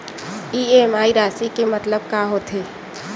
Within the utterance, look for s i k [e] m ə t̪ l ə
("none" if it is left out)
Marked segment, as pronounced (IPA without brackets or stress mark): e